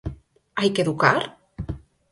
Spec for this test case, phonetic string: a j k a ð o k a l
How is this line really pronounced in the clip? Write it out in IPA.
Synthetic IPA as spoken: a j k e ð u k a ɾ